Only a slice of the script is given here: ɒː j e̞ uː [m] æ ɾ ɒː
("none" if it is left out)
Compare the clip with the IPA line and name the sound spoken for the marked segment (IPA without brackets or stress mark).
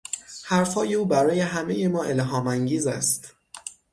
b